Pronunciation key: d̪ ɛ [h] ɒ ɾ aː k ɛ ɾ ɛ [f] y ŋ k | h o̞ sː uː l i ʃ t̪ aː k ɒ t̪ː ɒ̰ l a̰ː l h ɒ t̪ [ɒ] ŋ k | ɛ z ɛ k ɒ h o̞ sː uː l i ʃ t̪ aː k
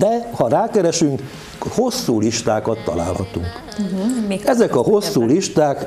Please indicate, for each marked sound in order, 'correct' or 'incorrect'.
correct, incorrect: ʃ, incorrect: u

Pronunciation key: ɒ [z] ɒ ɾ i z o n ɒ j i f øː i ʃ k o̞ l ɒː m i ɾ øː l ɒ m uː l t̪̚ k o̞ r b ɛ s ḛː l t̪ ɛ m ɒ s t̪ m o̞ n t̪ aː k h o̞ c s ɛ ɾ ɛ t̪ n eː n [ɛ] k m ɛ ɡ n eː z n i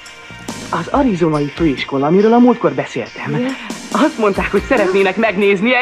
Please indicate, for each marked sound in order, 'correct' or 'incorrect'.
correct, correct

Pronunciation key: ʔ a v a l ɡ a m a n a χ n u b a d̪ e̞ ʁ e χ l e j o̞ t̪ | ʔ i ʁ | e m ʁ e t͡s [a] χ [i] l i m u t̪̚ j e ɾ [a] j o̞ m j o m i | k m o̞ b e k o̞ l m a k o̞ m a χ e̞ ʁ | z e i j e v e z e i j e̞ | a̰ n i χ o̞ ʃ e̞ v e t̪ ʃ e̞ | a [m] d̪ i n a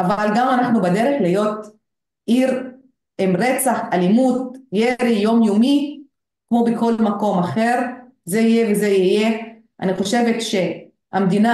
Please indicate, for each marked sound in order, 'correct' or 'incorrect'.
correct, incorrect: a, incorrect: i, correct

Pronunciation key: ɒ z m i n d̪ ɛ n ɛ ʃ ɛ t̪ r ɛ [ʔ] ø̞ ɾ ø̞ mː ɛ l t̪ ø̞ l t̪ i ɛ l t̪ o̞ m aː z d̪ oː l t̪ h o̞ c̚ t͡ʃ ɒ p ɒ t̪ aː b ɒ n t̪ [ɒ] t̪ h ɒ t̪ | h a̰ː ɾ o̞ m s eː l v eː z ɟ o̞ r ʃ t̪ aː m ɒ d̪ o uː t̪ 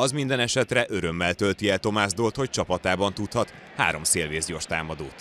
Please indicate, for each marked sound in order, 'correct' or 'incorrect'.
correct, incorrect: u

